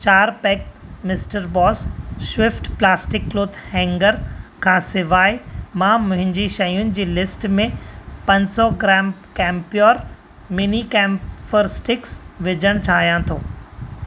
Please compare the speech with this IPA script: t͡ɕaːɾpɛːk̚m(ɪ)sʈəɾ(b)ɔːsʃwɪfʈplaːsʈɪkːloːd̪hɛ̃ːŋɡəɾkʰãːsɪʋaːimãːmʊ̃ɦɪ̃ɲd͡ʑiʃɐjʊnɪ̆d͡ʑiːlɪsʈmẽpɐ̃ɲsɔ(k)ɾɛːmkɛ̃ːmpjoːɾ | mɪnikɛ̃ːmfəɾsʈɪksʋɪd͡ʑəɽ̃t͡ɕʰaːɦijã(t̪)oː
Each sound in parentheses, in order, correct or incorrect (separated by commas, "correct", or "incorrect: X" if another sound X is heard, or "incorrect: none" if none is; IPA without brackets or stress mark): correct, correct, incorrect: ɡ, incorrect: t̪ʰ